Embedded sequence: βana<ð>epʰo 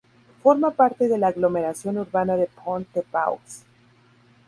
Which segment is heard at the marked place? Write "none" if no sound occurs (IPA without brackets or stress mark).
ð